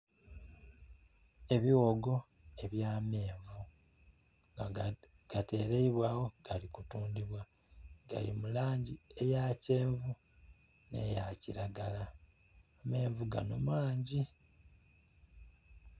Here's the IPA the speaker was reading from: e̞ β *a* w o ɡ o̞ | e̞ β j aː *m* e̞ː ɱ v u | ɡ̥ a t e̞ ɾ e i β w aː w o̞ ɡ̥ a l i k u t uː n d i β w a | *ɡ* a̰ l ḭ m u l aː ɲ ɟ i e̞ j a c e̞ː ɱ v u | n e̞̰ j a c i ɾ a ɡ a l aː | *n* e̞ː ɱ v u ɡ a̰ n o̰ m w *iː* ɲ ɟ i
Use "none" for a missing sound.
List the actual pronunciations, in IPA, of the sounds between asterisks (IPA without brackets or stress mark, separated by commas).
i, m, ɡ, m, aː